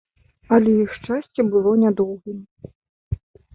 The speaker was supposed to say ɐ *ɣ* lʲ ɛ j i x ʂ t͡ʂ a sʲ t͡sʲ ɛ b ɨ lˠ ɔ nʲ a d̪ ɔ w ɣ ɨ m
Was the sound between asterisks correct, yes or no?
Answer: no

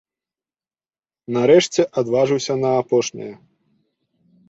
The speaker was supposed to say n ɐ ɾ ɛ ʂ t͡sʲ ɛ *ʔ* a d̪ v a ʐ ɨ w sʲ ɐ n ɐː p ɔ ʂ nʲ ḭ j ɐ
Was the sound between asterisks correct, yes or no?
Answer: yes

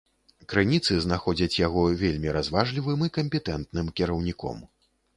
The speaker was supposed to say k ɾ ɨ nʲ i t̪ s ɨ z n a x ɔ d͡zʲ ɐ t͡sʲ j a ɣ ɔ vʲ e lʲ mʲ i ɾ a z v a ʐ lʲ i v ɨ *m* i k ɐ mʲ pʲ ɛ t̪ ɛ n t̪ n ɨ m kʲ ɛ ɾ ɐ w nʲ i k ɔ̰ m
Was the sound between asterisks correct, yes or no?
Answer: yes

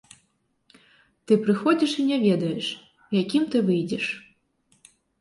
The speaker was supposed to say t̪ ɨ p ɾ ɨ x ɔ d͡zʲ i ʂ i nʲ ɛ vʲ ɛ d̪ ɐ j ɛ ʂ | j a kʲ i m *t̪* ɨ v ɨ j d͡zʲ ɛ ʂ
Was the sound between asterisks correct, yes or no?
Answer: yes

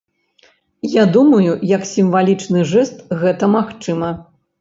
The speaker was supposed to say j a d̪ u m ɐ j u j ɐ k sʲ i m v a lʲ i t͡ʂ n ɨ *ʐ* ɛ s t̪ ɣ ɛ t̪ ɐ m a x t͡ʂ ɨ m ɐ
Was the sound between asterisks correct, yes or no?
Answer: yes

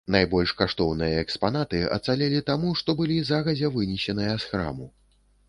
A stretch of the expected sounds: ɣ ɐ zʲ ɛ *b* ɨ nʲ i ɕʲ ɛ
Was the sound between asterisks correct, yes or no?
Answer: no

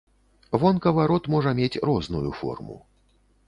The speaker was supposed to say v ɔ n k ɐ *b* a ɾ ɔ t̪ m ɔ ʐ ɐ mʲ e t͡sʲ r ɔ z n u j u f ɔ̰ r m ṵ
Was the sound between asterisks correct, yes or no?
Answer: no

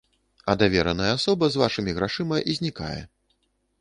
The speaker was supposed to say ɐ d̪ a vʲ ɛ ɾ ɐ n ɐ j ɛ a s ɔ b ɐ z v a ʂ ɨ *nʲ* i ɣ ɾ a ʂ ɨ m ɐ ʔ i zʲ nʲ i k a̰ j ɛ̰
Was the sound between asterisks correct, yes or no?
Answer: no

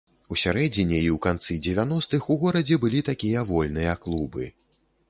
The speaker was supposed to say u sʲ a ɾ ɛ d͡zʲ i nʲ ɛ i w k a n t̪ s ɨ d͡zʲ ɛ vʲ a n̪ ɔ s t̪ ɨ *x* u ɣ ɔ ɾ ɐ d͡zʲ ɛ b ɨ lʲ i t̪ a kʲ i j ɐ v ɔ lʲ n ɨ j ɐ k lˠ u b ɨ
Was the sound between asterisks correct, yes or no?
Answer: yes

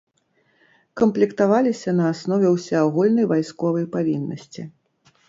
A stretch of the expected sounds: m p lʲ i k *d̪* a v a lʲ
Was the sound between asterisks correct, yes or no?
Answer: no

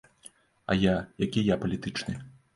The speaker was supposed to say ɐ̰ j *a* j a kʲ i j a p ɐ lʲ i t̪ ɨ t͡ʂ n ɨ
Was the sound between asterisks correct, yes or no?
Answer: yes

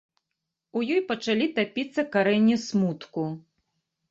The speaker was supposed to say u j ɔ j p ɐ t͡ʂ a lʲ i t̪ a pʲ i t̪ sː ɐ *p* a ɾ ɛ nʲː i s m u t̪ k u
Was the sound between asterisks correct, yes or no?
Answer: no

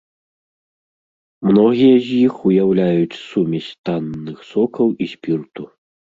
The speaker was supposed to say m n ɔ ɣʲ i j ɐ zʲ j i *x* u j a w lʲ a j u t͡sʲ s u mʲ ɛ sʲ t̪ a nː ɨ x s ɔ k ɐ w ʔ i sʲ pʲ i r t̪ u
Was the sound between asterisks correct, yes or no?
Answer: yes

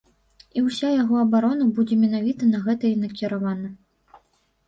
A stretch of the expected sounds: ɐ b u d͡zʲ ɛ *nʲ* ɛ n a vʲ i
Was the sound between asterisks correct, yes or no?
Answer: no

